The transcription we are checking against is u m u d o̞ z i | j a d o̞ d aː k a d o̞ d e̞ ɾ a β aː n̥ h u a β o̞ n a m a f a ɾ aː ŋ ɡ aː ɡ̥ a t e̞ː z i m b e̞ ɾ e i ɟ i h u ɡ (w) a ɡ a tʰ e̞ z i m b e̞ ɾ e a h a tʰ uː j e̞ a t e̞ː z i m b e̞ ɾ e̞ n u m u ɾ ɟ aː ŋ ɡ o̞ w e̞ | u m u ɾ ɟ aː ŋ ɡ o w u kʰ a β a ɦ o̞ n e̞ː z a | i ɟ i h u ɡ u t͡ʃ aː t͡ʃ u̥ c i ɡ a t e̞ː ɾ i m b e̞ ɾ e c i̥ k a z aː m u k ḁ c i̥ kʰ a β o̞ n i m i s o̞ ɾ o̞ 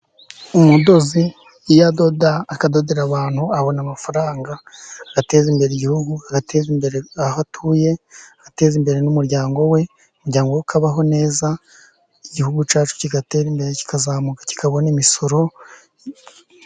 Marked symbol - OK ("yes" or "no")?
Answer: no